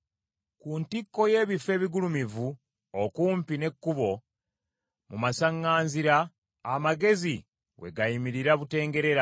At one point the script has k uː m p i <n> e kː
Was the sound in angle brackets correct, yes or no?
yes